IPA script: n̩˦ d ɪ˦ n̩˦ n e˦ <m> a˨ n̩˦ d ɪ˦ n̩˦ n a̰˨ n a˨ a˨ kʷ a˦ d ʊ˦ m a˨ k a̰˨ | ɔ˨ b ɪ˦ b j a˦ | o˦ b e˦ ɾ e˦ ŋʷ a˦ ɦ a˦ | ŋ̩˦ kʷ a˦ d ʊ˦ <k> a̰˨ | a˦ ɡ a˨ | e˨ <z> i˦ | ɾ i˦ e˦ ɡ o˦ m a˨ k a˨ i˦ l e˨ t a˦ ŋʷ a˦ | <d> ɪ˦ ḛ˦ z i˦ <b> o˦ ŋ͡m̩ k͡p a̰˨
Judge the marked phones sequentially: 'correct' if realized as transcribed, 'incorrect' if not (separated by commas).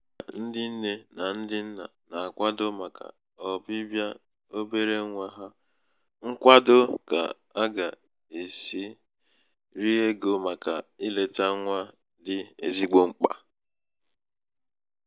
incorrect, correct, incorrect, correct, incorrect